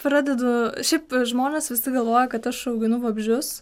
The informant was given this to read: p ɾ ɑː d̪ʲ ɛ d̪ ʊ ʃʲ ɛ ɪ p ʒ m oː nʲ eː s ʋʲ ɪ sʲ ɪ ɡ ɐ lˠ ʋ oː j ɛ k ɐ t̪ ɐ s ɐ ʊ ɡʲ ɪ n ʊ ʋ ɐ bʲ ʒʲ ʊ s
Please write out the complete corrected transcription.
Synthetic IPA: p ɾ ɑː d̪ʲ ɛ d̪ ʊ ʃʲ ɛ ɪ p ʒ m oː nʲ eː s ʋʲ ɪ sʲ ɪ ɡ ɐ lˠ ʋ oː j ɛ k ɐ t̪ ɐ ʃ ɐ ʊ ɡʲ ɪ n ʊ ʋ ɐ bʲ ʒʲ ʊ s